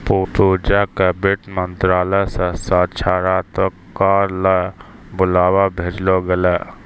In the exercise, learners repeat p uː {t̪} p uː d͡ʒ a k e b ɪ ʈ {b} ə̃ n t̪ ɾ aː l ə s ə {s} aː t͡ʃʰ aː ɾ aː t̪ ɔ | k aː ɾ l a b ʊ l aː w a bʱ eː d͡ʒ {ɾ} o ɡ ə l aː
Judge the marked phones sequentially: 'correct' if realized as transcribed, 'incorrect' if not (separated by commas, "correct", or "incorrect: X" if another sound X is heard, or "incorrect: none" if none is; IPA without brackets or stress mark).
incorrect: none, incorrect: m, correct, incorrect: l